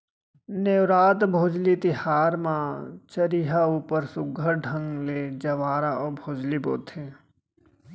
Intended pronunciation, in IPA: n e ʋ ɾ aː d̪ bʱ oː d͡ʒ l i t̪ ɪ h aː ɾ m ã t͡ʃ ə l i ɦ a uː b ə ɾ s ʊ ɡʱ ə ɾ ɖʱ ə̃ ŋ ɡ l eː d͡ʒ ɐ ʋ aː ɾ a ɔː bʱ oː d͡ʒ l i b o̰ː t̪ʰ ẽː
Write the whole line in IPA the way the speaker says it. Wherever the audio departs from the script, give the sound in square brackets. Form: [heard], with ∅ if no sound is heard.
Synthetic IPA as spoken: n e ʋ ɾ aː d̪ bʱ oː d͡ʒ l i t̪ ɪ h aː ɾ m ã t͡ʃ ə [ɾ] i ɦ a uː [p] ə ɾ s ʊ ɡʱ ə ɾ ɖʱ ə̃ ŋ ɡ l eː d͡ʒ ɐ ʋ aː ɾ a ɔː bʱ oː d͡ʒ l i b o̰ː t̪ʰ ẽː